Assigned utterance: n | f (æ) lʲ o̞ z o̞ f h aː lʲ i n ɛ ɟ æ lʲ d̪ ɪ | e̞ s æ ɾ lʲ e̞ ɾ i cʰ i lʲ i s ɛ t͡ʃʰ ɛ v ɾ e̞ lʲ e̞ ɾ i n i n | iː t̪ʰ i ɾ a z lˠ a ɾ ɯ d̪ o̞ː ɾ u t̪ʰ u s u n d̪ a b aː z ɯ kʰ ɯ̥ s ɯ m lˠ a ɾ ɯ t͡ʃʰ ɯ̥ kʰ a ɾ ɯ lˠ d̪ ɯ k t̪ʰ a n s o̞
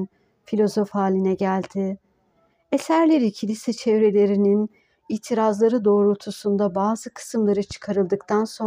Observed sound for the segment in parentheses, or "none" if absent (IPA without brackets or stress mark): i